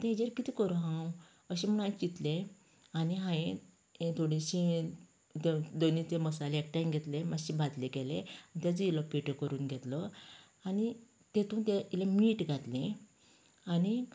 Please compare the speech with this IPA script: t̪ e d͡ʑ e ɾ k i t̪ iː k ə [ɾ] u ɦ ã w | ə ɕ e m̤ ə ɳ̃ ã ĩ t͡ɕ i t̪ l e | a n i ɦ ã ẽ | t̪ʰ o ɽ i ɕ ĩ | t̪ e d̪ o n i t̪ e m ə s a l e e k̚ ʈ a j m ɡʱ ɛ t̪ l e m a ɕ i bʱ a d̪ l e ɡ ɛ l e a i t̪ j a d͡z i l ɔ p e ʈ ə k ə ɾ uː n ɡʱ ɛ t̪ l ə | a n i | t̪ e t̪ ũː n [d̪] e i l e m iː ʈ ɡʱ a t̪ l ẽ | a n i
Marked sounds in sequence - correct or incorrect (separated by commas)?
correct, incorrect